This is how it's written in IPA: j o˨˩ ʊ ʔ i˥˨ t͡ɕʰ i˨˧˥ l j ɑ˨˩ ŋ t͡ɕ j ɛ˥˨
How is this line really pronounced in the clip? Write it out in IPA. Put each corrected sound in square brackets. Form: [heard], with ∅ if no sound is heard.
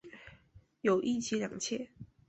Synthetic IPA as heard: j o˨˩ ʊ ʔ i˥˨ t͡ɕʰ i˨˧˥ l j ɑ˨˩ ŋ [t͡ɕʰ] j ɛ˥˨

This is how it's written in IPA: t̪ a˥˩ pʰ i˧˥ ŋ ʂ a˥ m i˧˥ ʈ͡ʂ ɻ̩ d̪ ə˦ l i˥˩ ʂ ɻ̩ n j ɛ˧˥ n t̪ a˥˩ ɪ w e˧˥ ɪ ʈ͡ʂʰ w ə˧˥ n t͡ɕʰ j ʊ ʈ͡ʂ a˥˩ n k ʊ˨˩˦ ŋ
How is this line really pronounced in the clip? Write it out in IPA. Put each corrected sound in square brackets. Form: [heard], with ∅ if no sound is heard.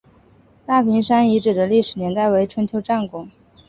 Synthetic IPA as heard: t̪ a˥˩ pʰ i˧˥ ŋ ʂ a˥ [n] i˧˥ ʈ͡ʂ ɻ̩ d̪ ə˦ l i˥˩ ʂ ɻ̩ n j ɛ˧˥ n t̪ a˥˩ ɪ w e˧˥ ɪ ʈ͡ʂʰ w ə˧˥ n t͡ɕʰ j ʊ ʈ͡ʂ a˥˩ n k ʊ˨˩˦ ŋ

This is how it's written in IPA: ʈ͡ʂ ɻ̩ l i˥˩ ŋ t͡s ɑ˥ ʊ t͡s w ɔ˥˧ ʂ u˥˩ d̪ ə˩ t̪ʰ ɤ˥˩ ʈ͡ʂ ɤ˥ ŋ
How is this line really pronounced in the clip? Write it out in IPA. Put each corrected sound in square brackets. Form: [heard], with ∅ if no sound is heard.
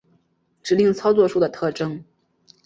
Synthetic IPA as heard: ʈ͡ʂ ɻ̩ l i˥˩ ŋ [t͡sʰ] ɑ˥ ʊ t͡s w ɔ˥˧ ʂ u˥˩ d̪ ə˩ t̪ʰ ɤ˥˩ ʈ͡ʂ ɤ˥ ŋ

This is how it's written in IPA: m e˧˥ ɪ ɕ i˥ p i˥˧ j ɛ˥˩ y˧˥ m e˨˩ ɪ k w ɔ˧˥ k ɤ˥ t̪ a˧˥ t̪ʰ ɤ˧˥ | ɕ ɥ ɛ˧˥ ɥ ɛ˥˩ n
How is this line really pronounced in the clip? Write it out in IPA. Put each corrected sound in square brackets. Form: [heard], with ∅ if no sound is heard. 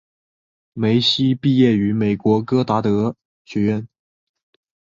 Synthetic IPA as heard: m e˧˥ ɪ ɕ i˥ p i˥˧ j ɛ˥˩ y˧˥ m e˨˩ ɪ k w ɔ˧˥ k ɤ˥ t̪ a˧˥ [t̪] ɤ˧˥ | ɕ ɥ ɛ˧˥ ɥ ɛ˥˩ n

